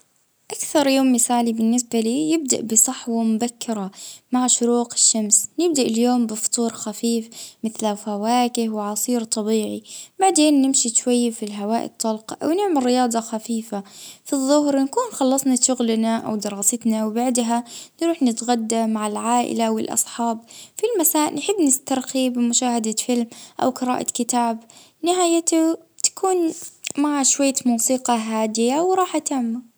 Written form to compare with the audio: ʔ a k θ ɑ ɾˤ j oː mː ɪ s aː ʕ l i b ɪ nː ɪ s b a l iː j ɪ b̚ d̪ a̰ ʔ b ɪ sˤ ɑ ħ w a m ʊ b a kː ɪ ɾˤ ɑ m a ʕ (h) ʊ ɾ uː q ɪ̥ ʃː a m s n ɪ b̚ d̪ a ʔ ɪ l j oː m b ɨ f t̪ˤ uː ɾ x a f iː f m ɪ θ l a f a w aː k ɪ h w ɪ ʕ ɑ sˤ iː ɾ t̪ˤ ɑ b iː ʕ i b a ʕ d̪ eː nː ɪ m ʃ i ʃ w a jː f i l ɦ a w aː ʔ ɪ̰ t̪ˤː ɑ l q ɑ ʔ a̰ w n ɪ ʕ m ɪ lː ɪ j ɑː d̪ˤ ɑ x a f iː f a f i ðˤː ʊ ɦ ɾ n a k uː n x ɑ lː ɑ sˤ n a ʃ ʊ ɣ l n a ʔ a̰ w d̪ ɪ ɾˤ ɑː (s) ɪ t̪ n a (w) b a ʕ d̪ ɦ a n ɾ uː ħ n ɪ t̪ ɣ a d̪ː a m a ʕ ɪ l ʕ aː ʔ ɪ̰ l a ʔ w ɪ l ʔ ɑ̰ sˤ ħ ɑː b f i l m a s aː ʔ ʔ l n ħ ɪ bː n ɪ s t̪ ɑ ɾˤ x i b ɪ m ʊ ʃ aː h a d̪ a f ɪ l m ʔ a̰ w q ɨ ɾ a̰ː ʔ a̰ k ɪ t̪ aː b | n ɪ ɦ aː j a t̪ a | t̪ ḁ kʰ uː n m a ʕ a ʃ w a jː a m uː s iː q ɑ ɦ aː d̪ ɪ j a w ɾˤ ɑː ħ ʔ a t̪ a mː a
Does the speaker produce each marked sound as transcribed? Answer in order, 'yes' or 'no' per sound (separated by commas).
no, yes, yes